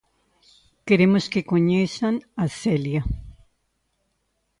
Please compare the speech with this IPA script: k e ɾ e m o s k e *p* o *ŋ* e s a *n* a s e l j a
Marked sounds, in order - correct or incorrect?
incorrect: k, incorrect: ɲ, correct

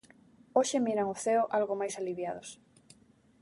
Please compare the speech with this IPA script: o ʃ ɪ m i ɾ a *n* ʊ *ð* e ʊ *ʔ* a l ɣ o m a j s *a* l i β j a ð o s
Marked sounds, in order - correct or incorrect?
incorrect: ŋ, incorrect: θ, correct, correct

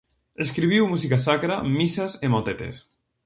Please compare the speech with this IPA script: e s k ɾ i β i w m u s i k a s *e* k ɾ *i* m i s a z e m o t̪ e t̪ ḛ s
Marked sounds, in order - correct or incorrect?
incorrect: a, incorrect: a

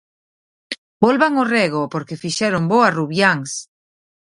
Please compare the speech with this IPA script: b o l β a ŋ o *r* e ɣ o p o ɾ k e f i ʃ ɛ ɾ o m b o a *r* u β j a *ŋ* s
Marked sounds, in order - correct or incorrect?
correct, correct, correct

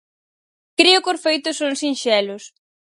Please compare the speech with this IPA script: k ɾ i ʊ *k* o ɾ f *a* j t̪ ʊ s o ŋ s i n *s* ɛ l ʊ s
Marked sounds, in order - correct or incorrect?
correct, incorrect: e, incorrect: ʃ

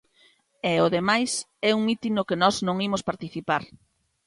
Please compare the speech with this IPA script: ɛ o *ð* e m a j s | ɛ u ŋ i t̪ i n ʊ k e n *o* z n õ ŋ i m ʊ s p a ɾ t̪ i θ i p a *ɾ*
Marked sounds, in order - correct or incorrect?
correct, incorrect: ɔ, correct

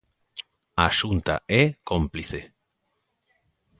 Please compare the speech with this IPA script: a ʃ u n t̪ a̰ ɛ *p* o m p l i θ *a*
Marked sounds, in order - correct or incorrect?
incorrect: k, incorrect: e

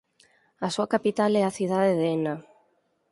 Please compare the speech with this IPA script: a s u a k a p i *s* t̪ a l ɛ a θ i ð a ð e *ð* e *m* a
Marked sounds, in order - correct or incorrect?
incorrect: none, correct, incorrect: n

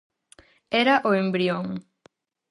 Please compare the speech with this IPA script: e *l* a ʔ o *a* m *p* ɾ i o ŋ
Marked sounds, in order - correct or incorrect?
incorrect: ɾ, incorrect: e, incorrect: b

